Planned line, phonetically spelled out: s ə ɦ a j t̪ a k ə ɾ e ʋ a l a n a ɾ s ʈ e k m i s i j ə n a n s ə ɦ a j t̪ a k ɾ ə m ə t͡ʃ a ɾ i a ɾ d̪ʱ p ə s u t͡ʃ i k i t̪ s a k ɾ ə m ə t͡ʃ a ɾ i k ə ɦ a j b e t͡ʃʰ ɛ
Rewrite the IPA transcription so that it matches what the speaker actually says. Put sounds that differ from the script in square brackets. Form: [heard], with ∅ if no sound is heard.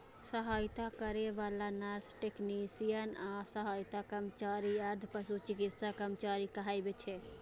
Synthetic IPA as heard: s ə ɦ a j t̪ a k ə ɾ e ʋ a l a n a ɾ s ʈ e k [n] i s i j ə n a [∅] s ə ɦ a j t̪ a k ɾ ə m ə t͡ʃ a ɾ i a ɾ d̪ʱ p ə s u t͡ʃ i k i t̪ s a k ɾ ə m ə t͡ʃ a ɾ i k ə ɦ a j b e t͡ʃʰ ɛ

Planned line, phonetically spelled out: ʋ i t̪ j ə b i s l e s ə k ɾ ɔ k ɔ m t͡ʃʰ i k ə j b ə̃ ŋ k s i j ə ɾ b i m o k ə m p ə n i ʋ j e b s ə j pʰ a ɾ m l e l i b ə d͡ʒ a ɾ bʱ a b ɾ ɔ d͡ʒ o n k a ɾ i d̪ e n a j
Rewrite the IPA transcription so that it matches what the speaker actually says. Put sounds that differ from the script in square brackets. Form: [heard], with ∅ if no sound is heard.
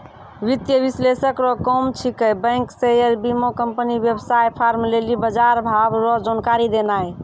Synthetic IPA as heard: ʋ i t̪ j ə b i s l e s ə k ɾ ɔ k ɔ m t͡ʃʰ i k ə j b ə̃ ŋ k s [e] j ə ɾ b i m o k ə m p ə n i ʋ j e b s [a] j pʰ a ɾ m l e l i b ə d͡ʒ a ɾ bʱ a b ɾ ɔ d͡ʒ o n k a ɾ i d̪ e n a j

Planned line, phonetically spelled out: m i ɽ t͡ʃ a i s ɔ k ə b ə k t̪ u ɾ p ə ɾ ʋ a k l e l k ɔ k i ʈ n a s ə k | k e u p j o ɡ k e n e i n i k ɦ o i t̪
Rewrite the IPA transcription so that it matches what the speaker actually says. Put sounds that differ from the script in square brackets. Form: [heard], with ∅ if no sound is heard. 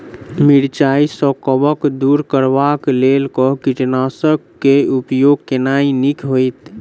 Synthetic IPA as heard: m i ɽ t͡ʃ a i s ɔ k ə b ə k [d̪] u ɾ [k] ə ɾ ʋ a k l e l k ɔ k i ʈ n a s ə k | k e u p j o ɡ k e n [a] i n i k ɦ o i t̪

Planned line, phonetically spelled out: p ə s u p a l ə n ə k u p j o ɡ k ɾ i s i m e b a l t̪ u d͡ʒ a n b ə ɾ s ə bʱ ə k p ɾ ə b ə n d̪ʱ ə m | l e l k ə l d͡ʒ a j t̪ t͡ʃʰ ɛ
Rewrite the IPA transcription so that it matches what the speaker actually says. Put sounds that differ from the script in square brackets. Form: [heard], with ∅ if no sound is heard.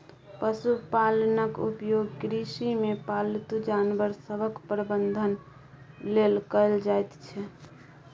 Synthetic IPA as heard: p ə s u p a l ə n ə k u p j o ɡ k ɾ i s i m e [p] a l t̪ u d͡ʒ a n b ə ɾ s ə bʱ ə k p ɾ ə b ə n d̪ʱ ə [n] | l e l k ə l d͡ʒ a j t̪ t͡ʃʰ ɛ

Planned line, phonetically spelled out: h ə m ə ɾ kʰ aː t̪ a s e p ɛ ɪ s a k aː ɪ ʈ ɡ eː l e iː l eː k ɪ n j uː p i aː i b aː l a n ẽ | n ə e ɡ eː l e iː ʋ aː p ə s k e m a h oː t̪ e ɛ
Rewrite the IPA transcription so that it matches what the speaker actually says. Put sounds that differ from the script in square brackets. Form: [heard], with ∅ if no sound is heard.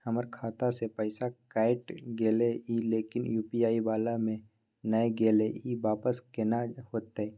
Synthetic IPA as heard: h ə m ə ɾ kʰ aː t̪ a s e p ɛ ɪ s a k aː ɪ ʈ ɡ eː l e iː l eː k ɪ n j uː p i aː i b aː l a [m] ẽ | n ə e ɡ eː l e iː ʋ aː p ə s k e [n] a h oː t̪ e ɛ

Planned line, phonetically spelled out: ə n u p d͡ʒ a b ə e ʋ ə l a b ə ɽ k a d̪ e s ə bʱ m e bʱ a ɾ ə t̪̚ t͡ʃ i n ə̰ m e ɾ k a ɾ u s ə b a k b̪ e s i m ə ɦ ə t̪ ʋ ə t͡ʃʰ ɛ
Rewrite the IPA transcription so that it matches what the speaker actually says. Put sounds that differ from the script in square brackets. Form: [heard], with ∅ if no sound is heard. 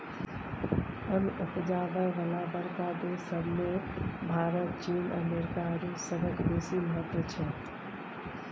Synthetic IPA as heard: ə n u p d͡ʒ a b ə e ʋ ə l a b ə [ɾ] k a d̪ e s ə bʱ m e bʱ a ɾ ə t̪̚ t͡ʃ i n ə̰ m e ɾ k a ɾ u s ə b [ə] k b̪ e s i m ə ɦ ə t̪ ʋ ə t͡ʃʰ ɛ

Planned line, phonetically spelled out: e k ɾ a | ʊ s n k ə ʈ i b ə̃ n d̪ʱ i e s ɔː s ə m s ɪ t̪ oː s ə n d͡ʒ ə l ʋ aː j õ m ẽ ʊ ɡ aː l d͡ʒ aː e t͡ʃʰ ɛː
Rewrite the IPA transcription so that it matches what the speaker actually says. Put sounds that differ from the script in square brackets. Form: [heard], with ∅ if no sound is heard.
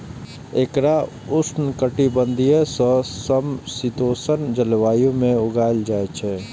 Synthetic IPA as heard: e k ɾ a | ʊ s n k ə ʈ i b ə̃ n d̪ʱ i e s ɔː s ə m s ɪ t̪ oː s ə n d͡ʒ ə l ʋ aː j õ m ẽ ʊ ɡ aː l d͡ʒ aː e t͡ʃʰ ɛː

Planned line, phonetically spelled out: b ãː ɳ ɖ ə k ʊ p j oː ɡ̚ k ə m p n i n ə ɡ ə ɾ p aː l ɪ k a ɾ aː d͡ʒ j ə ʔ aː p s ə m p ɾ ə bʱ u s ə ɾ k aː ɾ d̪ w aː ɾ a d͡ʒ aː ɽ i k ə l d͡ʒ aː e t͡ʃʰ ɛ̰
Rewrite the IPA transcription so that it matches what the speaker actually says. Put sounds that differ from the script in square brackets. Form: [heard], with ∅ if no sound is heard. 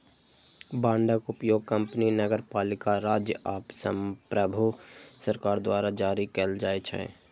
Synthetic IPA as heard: b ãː ɳ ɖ ə k ʊ p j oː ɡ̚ k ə m p n i n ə ɡ ə ɾ p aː l ɪ k a ɾ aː d͡ʒ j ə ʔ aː p s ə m p ɾ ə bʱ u s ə ɾ k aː ɾ d̪ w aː ɾ a d͡ʒ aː [ɾ] i k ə l d͡ʒ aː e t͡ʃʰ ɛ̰

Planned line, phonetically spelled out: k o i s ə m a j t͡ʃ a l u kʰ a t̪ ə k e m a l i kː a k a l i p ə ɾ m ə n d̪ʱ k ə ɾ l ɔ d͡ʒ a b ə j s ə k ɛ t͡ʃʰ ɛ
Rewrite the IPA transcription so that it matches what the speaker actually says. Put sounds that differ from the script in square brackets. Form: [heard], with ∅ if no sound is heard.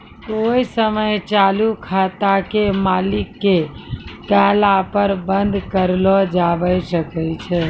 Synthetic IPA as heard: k o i s ə m [ə] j t͡ʃ a l u kʰ a t̪ [a] k e m a l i kː [e] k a l [a] p ə ɾ [b] ə n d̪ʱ k ə ɾ l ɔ d͡ʒ a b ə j s ə k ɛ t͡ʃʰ ɛ

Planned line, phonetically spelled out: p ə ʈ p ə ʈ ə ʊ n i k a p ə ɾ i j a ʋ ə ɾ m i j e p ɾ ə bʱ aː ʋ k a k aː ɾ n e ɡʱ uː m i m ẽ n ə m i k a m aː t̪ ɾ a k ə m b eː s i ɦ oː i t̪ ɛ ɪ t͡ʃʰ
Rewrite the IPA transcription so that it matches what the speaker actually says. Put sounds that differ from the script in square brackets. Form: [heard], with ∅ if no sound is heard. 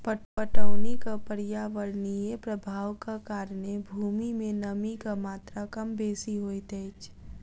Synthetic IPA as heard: p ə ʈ p ə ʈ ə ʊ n i k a p ə ɾ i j a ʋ ə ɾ [n] i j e p ɾ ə bʱ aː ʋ k a k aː ɾ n e [bʱ] uː m i m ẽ n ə m i k a m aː t̪ ɾ a k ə m b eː s i ɦ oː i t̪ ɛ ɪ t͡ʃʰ

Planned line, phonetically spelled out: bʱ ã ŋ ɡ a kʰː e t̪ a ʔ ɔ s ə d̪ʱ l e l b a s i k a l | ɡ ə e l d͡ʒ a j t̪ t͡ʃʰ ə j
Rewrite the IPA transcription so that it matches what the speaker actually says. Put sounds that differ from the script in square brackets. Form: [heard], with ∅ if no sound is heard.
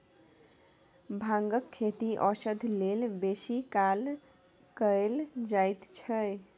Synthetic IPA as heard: bʱ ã ŋ ɡ [ə] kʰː e t̪ [i] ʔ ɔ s ə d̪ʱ l e l b [e] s i k a l | [k] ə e l d͡ʒ a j t̪ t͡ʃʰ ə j

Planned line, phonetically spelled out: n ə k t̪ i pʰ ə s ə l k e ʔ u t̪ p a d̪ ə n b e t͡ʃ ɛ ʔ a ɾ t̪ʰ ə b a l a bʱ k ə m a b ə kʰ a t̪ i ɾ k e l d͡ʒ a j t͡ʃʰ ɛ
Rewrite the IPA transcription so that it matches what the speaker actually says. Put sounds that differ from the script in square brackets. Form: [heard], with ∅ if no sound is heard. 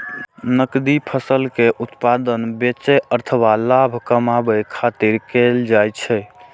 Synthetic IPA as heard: n ə k [d̪] i pʰ ə s ə l k e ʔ u t̪ p a d̪ ə n b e t͡ʃ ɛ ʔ [ə] ɾ t̪ʰ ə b a l a bʱ k ə m a b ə kʰ a t̪ i ɾ k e l d͡ʒ a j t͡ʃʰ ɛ

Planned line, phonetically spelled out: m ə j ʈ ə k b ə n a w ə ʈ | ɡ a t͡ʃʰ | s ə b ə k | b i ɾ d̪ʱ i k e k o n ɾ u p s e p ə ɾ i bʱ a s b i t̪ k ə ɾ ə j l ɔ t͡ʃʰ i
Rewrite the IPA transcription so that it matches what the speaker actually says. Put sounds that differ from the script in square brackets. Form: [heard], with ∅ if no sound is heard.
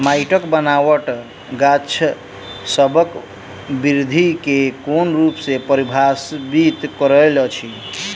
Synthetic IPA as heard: m [a] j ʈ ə k b ə n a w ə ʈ | ɡ a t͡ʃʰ | s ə b ə k | b i ɾ d̪ʱ i k e k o n ɾ u p s e p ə ɾ i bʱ a s b i t̪ k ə ɾ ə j l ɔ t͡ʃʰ i

